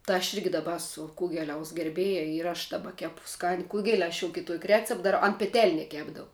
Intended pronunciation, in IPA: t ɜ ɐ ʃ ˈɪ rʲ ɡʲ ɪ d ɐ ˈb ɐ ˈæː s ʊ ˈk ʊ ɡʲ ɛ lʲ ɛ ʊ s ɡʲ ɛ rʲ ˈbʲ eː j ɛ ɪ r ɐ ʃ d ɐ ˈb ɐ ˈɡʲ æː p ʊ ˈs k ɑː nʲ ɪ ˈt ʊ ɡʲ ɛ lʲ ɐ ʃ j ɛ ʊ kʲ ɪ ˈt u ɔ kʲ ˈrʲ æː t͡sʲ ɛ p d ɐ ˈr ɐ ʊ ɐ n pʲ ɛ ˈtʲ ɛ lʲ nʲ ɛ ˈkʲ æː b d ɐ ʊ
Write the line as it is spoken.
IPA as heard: t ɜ ɐ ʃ ˈɪ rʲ ɡʲ ɪ d ɐ ˈb ɐ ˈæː s ʊ ˈk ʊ ɡʲ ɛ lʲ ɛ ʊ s ɡʲ ɛ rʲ ˈbʲ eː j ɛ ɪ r ɐ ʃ d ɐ ˈb ɐ ˈkʲ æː p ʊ ˈs k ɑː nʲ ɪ ˈk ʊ ɡʲ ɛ lʲ ɐ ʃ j ɛ ʊ kʲ ɪ ˈt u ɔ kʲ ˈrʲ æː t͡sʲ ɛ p d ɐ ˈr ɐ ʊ ɐ n pʲ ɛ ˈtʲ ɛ lʲ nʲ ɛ ˈkʲ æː b d ɐ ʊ

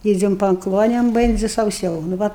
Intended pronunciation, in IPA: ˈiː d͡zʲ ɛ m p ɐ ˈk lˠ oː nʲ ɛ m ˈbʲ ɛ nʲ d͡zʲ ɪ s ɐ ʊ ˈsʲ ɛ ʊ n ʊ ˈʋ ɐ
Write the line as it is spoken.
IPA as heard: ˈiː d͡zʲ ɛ m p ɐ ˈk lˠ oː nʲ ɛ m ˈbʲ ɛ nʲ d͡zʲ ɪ s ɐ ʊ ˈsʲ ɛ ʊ n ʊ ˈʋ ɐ

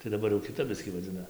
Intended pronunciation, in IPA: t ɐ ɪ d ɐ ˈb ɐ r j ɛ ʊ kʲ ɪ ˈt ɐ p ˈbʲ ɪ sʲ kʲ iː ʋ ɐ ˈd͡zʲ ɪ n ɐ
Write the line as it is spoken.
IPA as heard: t ɐ ɪ d ɐ ˈb ɐ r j ɛ ʊ kʲ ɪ ˈt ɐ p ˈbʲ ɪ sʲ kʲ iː ʋ ɐ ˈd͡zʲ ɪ n ɐ

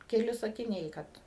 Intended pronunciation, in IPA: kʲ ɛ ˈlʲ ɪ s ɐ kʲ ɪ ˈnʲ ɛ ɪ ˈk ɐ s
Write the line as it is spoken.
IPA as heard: kʲ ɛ ˈlʲ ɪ s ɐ kʲ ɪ ˈnʲ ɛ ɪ ˈk ɐ t

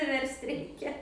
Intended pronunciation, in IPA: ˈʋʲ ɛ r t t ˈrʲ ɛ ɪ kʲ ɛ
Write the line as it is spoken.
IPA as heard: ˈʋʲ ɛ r s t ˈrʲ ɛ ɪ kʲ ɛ

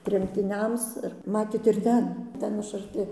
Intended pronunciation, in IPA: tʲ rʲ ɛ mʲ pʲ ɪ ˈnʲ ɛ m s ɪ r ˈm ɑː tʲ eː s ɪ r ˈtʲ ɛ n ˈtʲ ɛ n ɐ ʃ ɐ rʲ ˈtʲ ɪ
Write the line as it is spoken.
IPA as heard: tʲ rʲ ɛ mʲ tʲ ɪ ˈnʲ ɛ m s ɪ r ˈm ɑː tʲ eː t ɪ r ˈtʲ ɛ n ˈtʲ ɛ n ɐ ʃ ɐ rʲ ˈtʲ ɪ

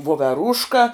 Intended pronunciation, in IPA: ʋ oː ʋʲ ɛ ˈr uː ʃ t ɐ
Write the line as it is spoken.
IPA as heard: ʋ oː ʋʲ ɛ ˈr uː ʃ k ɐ

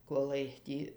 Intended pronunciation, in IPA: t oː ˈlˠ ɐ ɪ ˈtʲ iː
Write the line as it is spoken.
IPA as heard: k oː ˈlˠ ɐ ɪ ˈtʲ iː

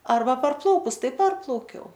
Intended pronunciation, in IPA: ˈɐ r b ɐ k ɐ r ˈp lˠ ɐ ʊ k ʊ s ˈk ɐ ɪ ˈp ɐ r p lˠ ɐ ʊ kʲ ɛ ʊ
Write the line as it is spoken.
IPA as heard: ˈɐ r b ɐ p ɐ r ˈp lˠ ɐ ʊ k ʊ s ˈt ɐ ɪ ˈp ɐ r p lˠ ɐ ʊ kʲ ɛ ʊ

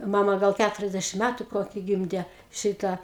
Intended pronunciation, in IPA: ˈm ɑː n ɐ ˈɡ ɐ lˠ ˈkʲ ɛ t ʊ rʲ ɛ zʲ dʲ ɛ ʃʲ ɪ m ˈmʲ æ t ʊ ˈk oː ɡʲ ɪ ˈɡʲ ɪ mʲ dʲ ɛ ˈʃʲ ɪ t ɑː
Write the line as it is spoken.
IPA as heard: ˈm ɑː m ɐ ˈɡ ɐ lˠ ˈkʲ æ t ʊ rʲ ɛ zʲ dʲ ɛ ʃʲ ɪ m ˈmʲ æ t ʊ ˈk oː kʲ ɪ ˈɡʲ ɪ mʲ dʲ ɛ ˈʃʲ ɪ t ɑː

